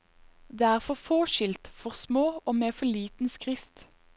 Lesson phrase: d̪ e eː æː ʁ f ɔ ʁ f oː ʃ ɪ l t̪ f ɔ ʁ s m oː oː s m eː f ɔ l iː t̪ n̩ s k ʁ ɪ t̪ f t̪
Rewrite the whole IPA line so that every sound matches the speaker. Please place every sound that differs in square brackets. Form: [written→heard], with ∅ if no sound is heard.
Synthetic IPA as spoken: d̪ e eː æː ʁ f ɔ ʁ f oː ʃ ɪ l t̪ f ɔ ʁ s m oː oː [s→∅] m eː f ɔ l iː t̪ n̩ s k ʁ ɪ [t̪→∅] f t̪